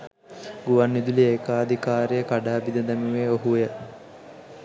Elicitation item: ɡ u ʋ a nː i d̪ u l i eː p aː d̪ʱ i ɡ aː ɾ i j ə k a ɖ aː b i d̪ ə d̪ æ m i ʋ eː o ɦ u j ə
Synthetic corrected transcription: ɡ u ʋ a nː i d̪ u l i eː k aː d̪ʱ i k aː ɾ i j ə k a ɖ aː b i d̪ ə d̪ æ m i ʋ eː o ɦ u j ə